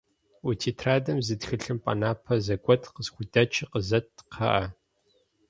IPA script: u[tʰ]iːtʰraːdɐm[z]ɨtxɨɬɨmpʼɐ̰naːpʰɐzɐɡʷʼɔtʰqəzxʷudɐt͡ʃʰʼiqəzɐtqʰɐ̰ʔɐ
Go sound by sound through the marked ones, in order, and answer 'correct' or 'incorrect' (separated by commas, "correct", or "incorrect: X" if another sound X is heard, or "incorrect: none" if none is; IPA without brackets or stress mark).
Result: correct, correct